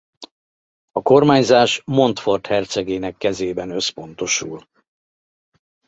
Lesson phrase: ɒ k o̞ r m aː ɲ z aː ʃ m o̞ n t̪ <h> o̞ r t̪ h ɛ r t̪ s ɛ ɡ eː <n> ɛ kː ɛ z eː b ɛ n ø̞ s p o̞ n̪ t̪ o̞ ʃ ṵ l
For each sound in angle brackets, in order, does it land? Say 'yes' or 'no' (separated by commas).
no, yes